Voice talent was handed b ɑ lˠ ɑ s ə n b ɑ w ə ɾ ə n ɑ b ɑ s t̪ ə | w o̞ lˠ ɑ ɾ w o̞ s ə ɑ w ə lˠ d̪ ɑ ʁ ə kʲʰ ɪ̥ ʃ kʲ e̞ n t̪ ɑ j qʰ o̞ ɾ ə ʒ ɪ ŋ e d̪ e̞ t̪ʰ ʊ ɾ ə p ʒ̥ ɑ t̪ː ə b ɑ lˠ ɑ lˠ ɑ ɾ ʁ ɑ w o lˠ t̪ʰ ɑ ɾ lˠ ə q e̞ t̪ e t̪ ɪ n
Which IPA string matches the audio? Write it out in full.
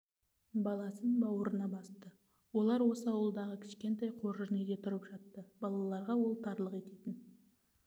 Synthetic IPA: b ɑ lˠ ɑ s ə n b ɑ w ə ɾ ə n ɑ b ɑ s t̪ ə | w o̞ lˠ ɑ ɾ w o̞ s ə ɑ w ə lˠ d̪ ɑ ʁ ə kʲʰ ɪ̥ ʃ kʲ e̞ n t̪ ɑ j qʰ o̞ ɾ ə ʒ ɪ n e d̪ e̞ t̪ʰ ʊ ɾ ə p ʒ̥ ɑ t̪ː ə b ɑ lˠ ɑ lˠ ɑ ɾ ʁ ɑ w o lˠ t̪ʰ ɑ ɾ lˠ ə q e̞ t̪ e t̪ ɪ n